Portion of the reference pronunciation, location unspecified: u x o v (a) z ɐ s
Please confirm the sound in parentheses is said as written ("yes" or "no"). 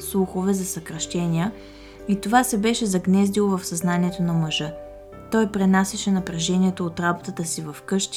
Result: no